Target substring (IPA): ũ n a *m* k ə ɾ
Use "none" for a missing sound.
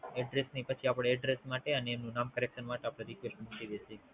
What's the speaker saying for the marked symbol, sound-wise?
m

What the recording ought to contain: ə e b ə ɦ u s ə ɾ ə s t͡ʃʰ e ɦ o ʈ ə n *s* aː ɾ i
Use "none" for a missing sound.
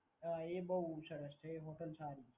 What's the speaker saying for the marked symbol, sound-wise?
s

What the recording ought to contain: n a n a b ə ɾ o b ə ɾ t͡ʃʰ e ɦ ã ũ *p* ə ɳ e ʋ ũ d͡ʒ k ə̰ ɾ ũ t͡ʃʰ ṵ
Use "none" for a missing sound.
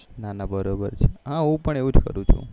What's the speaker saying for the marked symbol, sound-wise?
p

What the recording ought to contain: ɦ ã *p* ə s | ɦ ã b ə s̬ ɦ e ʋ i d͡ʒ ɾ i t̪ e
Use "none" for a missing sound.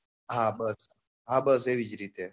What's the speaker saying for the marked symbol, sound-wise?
b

